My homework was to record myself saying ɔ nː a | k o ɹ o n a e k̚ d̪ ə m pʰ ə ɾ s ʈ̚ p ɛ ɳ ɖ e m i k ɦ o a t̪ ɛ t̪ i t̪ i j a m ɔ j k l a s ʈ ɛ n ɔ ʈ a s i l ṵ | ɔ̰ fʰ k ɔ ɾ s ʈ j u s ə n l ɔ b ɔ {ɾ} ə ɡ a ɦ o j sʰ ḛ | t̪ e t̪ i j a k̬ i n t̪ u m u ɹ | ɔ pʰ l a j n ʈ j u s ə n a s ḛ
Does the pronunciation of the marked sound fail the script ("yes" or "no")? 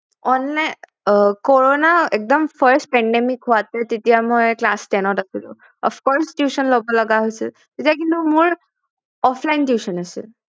yes